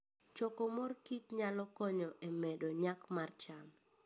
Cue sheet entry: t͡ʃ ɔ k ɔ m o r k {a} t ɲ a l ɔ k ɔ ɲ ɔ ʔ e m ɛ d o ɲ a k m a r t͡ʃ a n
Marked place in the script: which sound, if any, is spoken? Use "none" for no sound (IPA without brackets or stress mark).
i